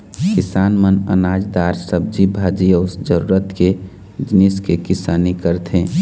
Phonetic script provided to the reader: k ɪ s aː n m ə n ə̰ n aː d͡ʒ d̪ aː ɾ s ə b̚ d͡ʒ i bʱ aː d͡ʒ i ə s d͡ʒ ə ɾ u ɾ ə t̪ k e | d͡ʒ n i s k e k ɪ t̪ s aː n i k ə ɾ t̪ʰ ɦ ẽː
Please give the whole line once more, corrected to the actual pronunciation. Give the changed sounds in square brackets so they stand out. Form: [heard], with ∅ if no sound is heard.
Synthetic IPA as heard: k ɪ s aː n m ə n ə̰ n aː d͡ʒ d̪ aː ɾ s ə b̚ d͡ʒ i bʱ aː d͡ʒ i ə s d͡ʒ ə ɾ u ɾ ə t̪ k e | d͡ʒ n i s k e k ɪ [∅] s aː n i k ə ɾ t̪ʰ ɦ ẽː